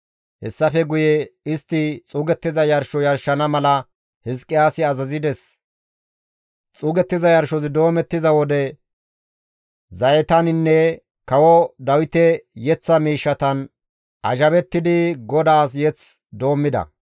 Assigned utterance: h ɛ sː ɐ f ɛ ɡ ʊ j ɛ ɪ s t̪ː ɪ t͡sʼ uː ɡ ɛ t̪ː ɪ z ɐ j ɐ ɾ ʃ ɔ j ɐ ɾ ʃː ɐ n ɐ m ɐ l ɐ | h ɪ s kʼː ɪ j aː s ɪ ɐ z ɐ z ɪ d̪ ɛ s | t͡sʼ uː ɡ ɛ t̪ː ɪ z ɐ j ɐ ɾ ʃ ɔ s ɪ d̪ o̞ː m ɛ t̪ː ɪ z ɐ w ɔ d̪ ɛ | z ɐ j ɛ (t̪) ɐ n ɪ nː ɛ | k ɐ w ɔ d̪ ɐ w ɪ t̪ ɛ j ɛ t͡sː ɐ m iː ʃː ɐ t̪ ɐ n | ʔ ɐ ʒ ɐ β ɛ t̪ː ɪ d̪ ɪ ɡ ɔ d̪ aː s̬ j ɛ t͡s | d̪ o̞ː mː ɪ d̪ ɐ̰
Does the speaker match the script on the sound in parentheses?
yes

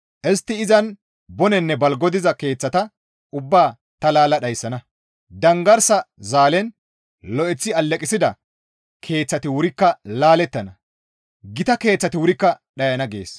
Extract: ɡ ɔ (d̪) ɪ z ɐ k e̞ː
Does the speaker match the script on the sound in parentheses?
yes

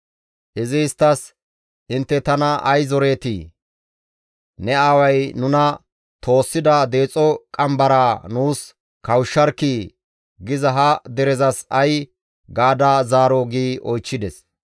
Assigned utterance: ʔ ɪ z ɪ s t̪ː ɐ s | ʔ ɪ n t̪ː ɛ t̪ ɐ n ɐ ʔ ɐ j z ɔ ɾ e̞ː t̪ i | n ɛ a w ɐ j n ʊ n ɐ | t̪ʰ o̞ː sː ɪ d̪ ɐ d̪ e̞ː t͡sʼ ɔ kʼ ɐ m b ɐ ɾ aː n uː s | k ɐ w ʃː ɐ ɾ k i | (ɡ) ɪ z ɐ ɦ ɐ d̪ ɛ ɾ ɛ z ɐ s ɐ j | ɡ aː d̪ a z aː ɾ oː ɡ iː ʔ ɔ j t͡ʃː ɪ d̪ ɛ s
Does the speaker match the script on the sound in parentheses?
yes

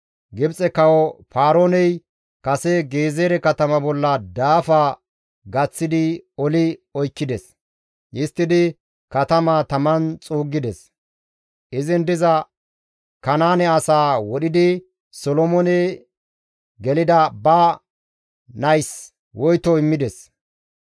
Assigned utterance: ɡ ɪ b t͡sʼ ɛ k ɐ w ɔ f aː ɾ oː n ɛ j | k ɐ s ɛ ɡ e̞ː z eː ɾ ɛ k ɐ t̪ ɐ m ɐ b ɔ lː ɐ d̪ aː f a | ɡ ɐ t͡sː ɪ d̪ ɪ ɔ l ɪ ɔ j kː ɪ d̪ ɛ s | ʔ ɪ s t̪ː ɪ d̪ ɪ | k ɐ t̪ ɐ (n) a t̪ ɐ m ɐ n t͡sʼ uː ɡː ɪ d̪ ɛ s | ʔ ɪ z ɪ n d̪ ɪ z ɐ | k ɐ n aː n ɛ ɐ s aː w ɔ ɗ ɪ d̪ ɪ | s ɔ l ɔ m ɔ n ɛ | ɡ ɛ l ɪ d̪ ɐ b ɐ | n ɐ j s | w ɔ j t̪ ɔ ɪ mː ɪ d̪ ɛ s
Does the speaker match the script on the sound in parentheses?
no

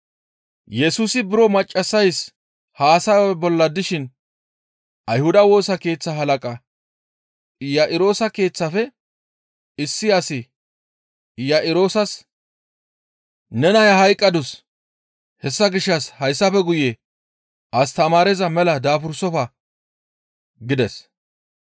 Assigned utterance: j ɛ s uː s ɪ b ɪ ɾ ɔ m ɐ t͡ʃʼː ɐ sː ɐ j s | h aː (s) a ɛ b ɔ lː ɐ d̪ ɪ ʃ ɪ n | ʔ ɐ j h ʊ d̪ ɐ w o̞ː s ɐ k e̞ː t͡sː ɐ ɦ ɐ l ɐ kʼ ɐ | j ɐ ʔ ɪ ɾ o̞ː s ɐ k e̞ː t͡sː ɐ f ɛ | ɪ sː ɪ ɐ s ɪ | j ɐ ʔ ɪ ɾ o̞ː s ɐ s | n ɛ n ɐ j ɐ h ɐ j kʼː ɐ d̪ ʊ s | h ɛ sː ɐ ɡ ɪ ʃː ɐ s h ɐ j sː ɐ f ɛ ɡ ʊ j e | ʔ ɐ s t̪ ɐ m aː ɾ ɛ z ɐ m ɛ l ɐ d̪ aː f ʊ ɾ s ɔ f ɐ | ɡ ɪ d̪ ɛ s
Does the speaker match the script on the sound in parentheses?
yes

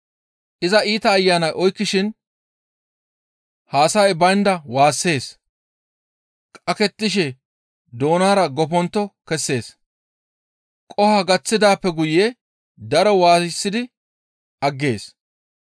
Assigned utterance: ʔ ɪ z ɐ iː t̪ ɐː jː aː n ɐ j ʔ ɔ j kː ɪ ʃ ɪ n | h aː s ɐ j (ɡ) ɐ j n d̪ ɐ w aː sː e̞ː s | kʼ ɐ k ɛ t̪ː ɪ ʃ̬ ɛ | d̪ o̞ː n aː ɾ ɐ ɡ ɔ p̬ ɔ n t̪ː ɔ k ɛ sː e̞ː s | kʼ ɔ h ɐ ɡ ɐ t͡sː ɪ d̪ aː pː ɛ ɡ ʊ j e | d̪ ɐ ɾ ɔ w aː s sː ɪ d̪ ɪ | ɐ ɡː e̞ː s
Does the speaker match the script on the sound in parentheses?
no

